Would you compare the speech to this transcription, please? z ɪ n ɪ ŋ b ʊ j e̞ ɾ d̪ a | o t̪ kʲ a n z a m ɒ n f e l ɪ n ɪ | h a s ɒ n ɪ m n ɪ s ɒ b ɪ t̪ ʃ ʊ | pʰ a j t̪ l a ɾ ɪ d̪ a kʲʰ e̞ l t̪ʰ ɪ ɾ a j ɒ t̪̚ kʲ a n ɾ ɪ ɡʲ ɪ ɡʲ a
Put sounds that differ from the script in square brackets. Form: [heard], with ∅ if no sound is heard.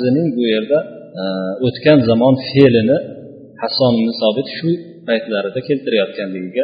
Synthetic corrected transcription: z ɪ n ɪ ŋ b ʊ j e̞ ɾ d̪ a | o t̪ kʲ a n z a m ɒ n f e l ɪ n ɪ | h a s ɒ n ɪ m n ɪ s ɒ b ɪ t̪ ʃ ʊ | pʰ a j t̪ l a ɾ ɪ d̪ a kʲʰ e̞ l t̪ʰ ɪ ɾ a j ɒ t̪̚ kʲ a n [l] ɪ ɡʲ ɪ ɡʲ a